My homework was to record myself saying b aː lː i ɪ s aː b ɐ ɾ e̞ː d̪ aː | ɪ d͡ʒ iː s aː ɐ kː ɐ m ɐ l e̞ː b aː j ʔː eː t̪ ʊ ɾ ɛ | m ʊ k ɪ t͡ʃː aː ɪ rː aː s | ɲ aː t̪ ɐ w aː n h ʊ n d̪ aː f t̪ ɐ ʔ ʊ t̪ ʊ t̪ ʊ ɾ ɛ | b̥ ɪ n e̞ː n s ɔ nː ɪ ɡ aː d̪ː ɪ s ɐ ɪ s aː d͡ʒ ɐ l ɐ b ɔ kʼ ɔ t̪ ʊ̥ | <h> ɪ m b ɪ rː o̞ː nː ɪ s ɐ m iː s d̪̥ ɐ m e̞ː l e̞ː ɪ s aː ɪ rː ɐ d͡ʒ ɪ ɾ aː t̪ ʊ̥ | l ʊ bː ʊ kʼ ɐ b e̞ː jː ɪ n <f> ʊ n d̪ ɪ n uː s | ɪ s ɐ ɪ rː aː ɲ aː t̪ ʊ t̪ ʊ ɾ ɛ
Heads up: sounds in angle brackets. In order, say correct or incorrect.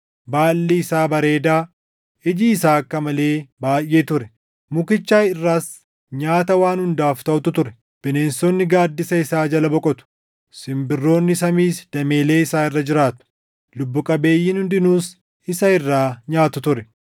incorrect: s, incorrect: h

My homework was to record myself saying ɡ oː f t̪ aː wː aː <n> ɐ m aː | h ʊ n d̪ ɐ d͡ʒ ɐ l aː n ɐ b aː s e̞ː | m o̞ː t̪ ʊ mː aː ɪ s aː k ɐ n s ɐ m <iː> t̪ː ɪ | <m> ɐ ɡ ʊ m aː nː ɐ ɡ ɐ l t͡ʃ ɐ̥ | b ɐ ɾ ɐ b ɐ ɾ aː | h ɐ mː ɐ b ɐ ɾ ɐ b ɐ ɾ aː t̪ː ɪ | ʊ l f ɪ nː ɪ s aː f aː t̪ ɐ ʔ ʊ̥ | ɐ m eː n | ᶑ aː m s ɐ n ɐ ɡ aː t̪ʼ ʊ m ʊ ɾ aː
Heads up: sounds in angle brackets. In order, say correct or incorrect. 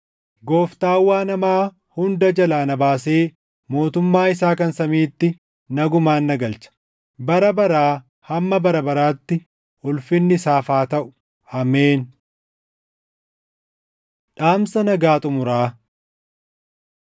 correct, correct, incorrect: n

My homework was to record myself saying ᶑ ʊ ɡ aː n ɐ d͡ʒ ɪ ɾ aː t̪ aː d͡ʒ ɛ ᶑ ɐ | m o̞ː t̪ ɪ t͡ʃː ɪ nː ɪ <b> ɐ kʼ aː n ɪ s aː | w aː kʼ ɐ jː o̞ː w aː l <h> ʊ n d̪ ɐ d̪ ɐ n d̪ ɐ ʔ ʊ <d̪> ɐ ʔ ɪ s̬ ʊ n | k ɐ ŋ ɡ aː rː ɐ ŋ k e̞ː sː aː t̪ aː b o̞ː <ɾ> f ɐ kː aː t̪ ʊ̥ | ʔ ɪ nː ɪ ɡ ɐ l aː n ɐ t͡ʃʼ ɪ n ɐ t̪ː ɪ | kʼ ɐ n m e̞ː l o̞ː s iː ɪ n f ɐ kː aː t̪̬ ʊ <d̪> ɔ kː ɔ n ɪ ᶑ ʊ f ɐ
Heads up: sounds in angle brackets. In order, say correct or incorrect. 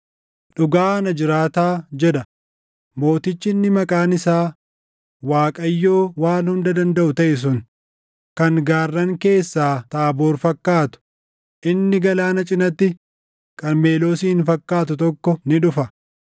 incorrect: m, correct, incorrect: t̪, correct, incorrect: t̪

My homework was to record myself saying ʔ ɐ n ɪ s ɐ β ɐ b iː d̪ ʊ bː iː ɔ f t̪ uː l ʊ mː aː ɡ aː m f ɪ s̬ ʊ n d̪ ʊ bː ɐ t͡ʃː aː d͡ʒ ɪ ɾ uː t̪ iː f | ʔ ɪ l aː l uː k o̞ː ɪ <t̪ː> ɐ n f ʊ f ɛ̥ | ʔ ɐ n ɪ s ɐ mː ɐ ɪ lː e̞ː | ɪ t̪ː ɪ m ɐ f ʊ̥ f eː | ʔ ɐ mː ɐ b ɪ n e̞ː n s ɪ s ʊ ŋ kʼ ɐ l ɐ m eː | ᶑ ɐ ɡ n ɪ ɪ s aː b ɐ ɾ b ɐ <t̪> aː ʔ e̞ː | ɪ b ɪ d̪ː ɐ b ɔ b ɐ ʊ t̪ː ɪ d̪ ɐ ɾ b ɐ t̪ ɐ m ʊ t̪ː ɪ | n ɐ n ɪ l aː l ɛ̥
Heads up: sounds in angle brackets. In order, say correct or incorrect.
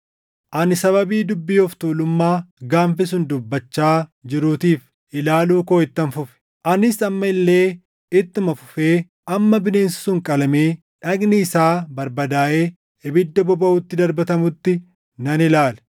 correct, incorrect: d̪

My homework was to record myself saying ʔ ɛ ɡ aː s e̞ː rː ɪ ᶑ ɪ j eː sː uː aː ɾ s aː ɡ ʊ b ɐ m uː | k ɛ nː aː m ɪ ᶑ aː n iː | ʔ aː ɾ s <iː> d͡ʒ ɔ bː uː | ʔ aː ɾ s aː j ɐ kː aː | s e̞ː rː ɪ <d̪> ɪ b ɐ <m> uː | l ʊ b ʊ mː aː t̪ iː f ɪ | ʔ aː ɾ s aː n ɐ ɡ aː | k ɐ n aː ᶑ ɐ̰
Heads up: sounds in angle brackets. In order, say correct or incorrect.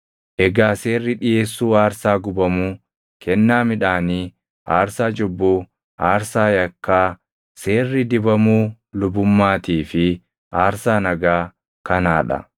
incorrect: aː, correct, correct

